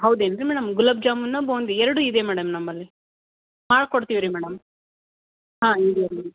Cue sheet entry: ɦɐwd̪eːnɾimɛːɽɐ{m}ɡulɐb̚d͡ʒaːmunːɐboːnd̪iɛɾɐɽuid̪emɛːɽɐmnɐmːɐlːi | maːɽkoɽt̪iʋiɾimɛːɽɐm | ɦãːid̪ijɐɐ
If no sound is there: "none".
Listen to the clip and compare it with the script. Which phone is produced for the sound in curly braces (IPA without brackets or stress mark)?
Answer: m